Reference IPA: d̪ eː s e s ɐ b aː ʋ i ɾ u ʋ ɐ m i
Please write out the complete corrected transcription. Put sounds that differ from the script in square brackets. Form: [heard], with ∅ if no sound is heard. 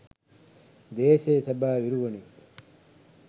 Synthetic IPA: d̪ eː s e s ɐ b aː ʋ i ɾ u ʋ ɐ [n] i